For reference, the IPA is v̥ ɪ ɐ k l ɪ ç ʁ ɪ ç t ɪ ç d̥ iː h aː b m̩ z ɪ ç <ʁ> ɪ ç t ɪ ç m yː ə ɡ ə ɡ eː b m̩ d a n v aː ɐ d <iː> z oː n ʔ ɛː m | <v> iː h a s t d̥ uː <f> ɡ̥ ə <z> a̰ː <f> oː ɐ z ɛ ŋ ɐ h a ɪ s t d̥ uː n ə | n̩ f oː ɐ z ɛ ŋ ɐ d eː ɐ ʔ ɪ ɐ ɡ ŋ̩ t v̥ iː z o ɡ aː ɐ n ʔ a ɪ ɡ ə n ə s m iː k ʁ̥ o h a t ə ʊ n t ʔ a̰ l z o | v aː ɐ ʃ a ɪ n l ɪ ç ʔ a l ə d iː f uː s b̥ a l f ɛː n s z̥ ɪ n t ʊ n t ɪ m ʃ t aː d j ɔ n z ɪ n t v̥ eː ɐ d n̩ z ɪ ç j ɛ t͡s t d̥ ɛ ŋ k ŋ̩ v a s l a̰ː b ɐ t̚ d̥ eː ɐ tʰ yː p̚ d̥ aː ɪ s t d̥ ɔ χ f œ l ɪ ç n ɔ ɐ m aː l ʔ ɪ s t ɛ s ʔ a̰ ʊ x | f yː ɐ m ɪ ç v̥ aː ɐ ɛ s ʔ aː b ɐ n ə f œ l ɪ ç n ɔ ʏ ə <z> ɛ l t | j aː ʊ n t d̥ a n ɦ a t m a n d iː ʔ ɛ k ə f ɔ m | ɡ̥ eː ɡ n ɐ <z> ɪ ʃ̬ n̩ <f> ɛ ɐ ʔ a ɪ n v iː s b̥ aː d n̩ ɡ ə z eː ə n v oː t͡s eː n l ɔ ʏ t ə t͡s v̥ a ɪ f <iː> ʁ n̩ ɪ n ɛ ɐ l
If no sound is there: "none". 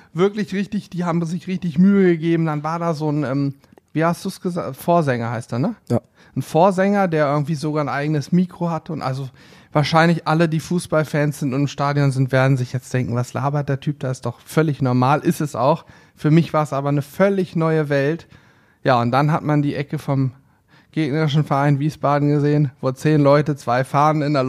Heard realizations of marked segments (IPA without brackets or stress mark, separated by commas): ʁ, aː, v, s, z, f, v, ʁ, f, aː